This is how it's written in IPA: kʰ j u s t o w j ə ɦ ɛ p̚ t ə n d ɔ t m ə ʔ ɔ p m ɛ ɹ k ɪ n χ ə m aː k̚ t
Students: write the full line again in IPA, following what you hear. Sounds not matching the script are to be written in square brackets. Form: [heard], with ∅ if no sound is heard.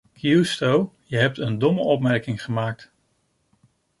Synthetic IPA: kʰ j u s t o w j ə ɦ ɛ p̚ t ə n d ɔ [∅] m ə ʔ ɔ p m ɛ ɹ k ɪ [ŋ] χ ə m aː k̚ t